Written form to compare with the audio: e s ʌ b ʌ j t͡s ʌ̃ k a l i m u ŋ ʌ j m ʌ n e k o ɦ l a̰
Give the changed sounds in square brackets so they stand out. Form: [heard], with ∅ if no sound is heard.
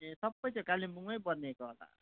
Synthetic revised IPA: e s ʌ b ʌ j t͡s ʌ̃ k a l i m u ŋ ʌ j [b] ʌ n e k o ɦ l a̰